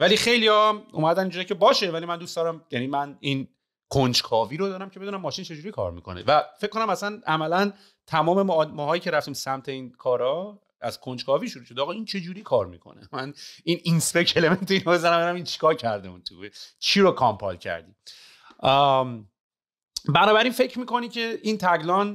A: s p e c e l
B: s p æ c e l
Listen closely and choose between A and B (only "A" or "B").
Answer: A